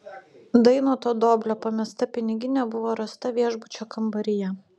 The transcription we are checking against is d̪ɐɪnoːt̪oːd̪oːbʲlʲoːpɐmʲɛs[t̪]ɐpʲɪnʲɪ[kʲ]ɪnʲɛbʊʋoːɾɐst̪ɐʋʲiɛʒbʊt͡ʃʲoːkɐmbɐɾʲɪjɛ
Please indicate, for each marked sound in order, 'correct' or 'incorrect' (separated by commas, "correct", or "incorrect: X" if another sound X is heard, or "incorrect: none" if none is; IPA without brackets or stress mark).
correct, incorrect: ɡʲ